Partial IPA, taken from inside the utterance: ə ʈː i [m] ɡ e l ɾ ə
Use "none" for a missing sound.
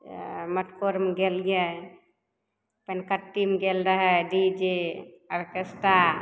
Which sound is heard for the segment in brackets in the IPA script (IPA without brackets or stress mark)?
m